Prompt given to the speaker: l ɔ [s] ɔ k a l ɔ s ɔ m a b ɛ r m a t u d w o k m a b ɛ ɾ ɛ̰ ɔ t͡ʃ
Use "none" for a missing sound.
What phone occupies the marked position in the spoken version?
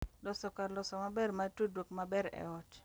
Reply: s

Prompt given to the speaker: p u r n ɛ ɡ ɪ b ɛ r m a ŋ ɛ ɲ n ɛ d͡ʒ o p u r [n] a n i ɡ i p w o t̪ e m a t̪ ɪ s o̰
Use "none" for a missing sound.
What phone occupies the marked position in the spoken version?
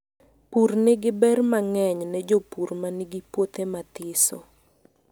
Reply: m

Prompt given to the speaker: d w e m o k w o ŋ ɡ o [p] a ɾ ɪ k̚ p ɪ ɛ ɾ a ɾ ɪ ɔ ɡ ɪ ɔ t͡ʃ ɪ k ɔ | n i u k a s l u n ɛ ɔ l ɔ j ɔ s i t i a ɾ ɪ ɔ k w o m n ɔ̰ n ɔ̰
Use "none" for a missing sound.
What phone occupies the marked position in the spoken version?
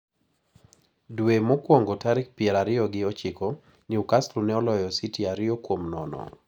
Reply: t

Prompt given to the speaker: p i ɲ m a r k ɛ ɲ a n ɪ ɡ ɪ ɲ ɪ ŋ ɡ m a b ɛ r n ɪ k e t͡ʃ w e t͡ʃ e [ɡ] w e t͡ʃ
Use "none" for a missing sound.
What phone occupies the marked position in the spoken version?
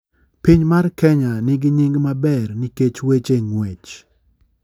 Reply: ŋ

